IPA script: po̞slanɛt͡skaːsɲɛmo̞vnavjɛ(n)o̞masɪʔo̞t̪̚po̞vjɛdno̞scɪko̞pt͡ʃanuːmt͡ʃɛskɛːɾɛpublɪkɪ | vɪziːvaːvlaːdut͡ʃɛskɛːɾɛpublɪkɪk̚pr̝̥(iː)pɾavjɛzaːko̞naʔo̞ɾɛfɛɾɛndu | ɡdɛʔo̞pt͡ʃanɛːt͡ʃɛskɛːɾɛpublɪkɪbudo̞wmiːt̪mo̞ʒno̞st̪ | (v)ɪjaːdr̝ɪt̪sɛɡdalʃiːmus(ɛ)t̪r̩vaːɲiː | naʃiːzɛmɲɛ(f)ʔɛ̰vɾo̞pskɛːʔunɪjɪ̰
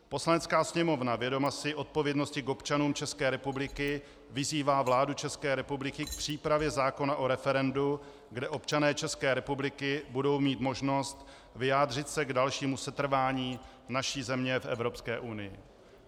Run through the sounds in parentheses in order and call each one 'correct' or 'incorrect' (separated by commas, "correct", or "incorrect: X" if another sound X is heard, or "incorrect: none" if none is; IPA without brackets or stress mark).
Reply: incorrect: d, correct, correct, correct, correct